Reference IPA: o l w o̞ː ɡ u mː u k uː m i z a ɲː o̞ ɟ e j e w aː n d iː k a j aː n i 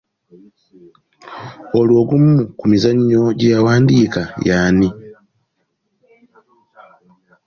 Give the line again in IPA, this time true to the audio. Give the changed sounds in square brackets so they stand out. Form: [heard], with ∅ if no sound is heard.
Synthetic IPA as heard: o l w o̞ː ɡ u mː u k [u] m i z a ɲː o̞ ɟ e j [a] w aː n d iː k a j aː n i